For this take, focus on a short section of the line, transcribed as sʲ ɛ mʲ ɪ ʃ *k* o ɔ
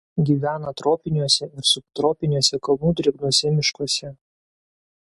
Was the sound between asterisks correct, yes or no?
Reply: yes